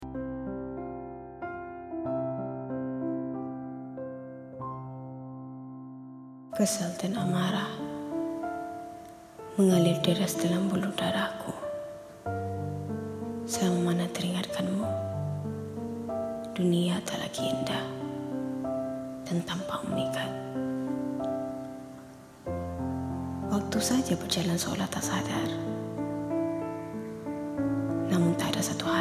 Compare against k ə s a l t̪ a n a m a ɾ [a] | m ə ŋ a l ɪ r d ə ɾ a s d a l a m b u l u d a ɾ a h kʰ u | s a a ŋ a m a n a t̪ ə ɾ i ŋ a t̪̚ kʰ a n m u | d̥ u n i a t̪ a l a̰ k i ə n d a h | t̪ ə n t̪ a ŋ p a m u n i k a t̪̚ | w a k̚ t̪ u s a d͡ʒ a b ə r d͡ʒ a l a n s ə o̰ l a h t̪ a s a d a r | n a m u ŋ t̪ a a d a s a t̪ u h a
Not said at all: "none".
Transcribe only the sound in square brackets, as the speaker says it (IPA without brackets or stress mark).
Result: a